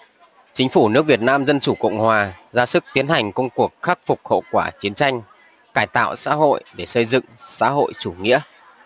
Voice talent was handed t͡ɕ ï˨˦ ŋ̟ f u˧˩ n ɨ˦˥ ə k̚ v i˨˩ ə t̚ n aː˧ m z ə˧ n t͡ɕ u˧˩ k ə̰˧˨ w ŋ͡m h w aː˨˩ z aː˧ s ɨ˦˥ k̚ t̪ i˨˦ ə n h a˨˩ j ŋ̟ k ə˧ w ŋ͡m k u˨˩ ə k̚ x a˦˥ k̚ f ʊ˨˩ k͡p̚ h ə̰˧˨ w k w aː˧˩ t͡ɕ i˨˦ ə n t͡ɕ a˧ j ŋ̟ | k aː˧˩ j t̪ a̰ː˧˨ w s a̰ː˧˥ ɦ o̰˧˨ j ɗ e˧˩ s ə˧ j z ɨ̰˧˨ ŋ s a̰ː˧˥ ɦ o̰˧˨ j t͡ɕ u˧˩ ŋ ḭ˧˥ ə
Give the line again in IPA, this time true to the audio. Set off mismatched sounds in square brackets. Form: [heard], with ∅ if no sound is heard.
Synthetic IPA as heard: t͡ɕ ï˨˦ ŋ̟ f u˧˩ n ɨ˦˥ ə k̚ v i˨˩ ə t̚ n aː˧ m z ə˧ n t͡ɕ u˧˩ k ə̰˧˨ w ŋ͡m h w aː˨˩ z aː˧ s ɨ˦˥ k̚ t̪ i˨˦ ə n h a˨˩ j ŋ̟ k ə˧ w ŋ͡m k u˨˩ ə k̚ x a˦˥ k̚ f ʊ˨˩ k͡p̚ h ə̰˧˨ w k w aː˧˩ t͡ɕ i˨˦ ə n t͡ɕ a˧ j ŋ̟ | k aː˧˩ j t̪ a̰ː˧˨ w s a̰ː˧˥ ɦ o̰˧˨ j ɗ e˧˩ s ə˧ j z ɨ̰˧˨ ŋ s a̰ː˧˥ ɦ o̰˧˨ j t͡ɕ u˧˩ ŋ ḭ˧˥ ə